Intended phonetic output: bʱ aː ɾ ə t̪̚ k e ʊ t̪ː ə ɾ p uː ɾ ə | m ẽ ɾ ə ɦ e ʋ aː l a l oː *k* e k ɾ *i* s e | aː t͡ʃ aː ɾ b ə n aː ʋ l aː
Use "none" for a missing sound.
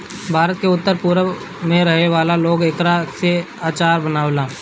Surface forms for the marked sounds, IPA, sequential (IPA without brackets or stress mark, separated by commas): ɡ, a